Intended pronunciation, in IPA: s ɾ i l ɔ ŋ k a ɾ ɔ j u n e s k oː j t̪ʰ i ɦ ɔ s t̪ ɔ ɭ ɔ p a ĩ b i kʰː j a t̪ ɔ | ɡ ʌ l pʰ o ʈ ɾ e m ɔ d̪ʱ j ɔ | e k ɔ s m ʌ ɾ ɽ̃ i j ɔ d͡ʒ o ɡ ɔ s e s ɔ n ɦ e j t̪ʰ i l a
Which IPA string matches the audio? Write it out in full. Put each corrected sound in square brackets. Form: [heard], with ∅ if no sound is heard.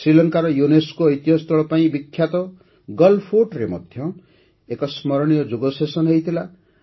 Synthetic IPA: s ɾ i l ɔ ŋ k a ɾ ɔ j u n e s k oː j [t̪] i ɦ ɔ s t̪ ɔ ɭ ɔ p a ĩ b i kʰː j a t̪ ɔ | ɡ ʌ l pʰ o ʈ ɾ e m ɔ d̪ʱ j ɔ | e k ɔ s m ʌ ɾ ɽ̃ i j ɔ d͡ʒ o ɡ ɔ s e s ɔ n ɦ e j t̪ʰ i l a